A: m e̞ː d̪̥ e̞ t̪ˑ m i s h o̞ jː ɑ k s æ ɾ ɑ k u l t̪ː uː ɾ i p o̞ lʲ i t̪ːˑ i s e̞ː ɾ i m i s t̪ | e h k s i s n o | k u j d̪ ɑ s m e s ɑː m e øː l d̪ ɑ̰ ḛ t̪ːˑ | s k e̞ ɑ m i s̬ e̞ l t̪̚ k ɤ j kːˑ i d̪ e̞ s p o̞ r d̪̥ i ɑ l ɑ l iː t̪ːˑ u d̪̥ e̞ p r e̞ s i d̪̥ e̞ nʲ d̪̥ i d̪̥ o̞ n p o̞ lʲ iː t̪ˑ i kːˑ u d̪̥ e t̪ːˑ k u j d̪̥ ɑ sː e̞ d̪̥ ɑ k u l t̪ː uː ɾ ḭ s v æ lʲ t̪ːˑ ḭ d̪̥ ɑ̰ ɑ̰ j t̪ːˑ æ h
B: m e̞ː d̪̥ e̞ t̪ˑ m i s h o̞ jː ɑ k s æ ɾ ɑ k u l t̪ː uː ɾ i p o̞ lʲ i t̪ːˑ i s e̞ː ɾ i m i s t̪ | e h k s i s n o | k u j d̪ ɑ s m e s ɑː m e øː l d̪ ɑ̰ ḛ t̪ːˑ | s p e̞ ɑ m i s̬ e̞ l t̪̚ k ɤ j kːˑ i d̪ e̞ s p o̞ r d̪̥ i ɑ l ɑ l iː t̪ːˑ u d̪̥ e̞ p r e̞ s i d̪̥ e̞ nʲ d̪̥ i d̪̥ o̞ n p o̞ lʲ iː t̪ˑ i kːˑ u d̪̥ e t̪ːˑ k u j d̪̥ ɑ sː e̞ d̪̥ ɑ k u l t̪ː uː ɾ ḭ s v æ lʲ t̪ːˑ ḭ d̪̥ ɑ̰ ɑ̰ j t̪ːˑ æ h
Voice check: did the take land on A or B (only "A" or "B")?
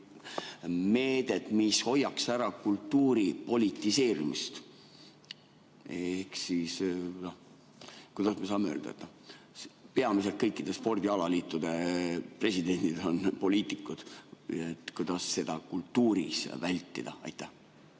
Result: B